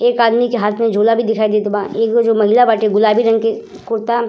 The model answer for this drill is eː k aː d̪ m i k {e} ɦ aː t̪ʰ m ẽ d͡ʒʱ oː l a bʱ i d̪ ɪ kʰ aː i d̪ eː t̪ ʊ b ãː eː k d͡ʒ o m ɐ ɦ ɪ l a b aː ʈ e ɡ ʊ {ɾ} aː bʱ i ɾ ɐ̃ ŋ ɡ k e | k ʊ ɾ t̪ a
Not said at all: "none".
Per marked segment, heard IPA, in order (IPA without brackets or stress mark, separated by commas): e, l